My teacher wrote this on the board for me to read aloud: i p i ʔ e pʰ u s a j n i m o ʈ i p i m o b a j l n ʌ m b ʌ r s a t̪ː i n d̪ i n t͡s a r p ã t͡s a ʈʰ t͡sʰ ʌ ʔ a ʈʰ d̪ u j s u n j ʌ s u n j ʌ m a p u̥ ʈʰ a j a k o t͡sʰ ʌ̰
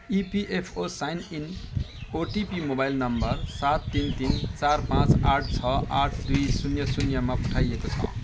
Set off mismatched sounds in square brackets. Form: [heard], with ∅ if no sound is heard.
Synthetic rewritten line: i p i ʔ e pʰ [o] s a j n i [n] o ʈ i p i m o b a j l n ʌ m b ʌ r s a t̪ː i n [t̪] i n t͡s a r p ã t͡s a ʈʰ t͡sʰ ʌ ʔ a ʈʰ d̪ u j s u n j ʌ s u n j ʌ m a p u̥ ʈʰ a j [e] k o t͡sʰ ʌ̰